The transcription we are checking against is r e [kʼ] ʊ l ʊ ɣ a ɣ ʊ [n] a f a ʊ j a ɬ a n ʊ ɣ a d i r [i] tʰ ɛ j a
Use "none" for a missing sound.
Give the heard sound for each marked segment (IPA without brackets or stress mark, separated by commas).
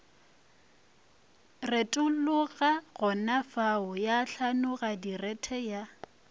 tʼ, n, ɛ